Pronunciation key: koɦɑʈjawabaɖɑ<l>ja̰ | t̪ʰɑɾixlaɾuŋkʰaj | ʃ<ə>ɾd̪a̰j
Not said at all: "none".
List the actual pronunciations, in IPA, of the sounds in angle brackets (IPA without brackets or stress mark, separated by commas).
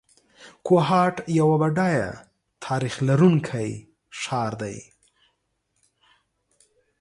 none, ɑ